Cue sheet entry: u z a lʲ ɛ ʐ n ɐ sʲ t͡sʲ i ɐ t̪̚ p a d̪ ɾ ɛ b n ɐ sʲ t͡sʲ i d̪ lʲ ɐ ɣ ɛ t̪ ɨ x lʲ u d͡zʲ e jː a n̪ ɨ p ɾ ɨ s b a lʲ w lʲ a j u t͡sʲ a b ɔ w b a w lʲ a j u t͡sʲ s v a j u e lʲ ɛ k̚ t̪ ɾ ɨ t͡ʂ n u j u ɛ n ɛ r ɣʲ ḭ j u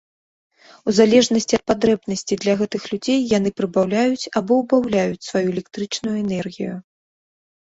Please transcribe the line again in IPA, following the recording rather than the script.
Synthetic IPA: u z a lʲ ɛ ʐ n ɐ sʲ t͡sʲ i ɐ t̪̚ p a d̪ ɾ ɛ b n ɐ sʲ t͡sʲ i d̪ lʲ ɐ ɣ ɛ t̪ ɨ x lʲ u d͡zʲ e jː a n̪ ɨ p ɾ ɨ b a w lʲ a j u t͡sʲ a b ɔ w b a w lʲ a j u t͡sʲ s v a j u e lʲ ɛ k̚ t̪ ɾ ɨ t͡ʂ n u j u ɛ n ɛ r ɣʲ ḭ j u